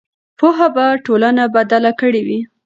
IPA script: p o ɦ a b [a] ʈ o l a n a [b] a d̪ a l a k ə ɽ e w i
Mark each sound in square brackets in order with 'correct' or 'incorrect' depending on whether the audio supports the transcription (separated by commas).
correct, correct